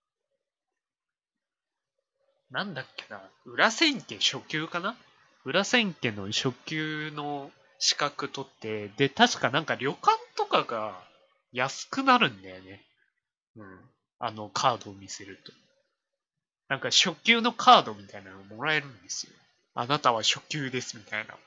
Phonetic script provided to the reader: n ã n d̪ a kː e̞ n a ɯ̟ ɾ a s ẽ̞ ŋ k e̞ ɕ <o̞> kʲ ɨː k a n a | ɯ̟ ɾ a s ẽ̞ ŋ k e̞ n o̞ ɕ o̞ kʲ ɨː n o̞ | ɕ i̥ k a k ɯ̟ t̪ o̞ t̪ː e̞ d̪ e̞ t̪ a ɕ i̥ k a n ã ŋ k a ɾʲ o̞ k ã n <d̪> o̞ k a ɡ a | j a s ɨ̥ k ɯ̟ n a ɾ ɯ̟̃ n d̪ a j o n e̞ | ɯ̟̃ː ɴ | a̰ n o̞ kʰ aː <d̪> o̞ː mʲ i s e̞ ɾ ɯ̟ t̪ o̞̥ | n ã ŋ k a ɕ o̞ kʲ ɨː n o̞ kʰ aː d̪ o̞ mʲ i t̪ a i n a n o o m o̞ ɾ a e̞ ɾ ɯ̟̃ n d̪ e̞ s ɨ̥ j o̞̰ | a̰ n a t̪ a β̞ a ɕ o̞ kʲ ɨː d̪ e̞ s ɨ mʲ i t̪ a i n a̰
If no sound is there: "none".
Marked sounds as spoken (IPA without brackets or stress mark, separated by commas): o̞, t̪, d̪